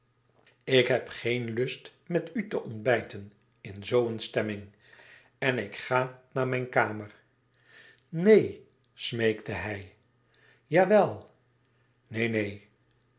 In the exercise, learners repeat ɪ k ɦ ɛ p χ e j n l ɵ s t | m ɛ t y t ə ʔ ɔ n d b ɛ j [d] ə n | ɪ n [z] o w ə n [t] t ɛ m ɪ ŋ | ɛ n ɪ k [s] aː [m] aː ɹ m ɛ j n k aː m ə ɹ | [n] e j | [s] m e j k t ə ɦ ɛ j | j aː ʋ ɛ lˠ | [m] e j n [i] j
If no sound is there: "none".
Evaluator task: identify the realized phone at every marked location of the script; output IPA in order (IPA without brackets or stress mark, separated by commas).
t, z, s, χ, n, n, s, n, e